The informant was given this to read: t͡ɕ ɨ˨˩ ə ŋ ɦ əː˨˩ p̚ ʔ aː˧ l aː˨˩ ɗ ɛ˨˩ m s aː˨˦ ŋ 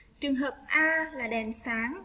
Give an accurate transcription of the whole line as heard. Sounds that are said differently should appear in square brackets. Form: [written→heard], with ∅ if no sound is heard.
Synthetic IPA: t͡ɕ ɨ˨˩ ə ŋ ɦ əː˨˩ p̚ ʔ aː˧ l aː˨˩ ɗ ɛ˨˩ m s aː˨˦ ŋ

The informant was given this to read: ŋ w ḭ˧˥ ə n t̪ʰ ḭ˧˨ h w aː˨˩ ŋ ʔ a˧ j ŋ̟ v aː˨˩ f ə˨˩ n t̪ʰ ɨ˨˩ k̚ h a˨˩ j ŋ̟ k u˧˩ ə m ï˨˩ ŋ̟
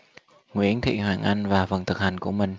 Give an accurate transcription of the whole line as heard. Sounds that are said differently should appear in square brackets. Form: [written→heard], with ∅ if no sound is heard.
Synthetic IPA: ŋ w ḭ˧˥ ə n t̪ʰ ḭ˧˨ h w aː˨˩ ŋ ʔ a˧ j ŋ̟ v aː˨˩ f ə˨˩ n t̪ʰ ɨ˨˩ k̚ h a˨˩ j ŋ̟ k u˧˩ ə m ï˨˩ ŋ̟

